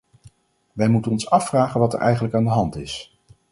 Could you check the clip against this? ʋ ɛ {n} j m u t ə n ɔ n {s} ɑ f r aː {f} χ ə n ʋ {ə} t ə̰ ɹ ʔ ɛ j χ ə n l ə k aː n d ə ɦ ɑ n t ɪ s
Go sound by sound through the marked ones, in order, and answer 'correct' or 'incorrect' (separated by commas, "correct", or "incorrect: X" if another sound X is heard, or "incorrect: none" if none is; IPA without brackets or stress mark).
incorrect: none, correct, incorrect: none, incorrect: ɑ